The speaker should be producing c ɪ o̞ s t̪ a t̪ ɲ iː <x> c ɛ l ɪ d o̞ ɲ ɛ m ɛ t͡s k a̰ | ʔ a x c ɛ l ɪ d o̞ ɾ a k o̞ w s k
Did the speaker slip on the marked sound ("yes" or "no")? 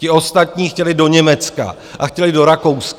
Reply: no